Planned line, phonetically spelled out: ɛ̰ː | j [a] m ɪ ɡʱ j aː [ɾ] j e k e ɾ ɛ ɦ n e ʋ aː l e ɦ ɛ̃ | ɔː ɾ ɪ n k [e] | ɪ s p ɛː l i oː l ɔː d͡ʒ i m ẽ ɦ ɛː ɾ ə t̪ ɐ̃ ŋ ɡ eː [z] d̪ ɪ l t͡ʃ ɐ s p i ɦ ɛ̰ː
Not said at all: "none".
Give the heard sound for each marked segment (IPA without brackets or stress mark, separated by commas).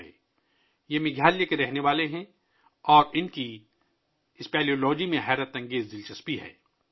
e, l, i, z